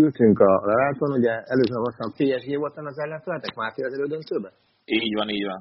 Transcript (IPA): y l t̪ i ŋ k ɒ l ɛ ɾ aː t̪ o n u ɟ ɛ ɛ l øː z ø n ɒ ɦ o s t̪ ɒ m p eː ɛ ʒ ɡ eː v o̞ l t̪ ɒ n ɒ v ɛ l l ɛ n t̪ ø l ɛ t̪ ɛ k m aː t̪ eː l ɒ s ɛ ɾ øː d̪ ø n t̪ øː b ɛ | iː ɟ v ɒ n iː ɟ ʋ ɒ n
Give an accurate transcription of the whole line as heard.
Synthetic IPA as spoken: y l t̪ y ŋ k ɒ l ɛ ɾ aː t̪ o n u ɟ ɛ ɛ l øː z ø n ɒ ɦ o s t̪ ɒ m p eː ɛ ʒ ɡ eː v o̞ l t̪ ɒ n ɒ z ɛ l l ɛ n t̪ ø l ɛ t̪ ɛ k m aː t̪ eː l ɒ z ɛ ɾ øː d̪ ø n t̪ øː b ɛ | iː ɟ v ɒ n iː ɟ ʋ ɒ n